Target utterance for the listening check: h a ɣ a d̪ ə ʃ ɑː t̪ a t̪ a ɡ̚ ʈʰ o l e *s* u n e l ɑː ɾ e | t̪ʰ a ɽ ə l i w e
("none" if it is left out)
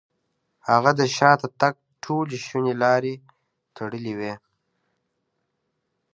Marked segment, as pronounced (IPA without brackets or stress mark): ʃ